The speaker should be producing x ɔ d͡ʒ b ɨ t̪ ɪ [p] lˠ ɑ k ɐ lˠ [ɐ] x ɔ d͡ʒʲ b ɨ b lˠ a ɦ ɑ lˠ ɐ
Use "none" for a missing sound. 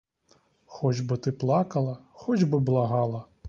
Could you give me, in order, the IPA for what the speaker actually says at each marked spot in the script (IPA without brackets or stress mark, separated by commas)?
p, ɐ